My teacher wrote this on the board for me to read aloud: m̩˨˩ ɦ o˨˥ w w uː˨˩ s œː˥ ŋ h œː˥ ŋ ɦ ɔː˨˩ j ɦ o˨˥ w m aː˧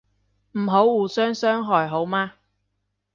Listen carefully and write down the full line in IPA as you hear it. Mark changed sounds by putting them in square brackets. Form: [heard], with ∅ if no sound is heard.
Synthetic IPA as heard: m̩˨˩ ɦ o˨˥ w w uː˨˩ s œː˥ ŋ [s] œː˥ ŋ ɦ ɔː˨˩ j ɦ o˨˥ w m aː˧